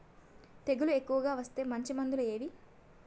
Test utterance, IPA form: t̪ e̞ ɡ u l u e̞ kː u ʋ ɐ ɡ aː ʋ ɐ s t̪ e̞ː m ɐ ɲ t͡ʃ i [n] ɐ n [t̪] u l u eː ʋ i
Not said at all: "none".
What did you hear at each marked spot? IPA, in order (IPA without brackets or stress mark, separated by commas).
m, d̪